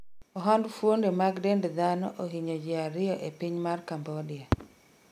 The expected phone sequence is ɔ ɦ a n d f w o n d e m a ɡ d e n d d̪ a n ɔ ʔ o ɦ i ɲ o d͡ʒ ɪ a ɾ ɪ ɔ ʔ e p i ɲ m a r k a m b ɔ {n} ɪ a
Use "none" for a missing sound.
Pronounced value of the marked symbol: d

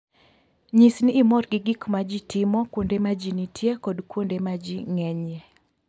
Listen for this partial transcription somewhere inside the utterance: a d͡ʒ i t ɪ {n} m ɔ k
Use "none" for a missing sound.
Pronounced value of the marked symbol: none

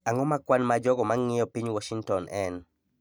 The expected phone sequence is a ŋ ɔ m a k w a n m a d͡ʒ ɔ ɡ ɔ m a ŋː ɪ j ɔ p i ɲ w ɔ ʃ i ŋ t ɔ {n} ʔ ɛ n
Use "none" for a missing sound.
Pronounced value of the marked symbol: n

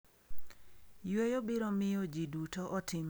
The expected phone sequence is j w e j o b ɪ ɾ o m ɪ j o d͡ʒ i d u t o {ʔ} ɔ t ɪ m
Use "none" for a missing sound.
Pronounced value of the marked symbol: ʔ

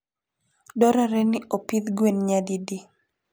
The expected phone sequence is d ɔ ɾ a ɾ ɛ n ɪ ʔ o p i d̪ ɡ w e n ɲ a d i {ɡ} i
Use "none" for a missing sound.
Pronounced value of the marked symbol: d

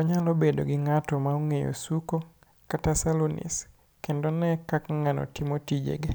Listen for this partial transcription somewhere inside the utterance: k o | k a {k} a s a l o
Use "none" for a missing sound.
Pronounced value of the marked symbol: t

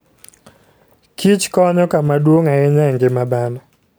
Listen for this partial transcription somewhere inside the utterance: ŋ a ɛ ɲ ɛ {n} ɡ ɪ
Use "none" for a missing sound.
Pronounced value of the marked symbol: ŋ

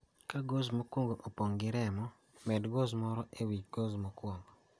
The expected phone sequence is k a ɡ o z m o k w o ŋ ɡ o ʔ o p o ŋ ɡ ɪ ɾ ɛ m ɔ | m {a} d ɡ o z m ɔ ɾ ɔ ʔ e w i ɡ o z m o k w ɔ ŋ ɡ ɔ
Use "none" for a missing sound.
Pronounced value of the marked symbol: ɛ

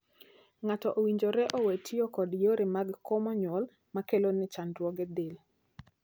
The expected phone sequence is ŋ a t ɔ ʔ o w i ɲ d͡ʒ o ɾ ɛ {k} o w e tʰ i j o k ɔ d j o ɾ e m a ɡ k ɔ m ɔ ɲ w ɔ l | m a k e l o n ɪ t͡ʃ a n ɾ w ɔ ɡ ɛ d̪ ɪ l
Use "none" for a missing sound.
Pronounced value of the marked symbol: ʔ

